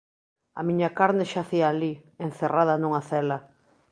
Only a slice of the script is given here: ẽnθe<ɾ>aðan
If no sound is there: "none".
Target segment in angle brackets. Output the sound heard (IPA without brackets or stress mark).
r